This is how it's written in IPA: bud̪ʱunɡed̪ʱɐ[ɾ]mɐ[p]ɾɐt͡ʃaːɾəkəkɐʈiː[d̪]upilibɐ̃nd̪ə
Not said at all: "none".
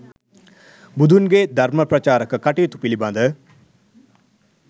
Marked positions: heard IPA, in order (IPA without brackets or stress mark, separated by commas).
ɾ, p, t̪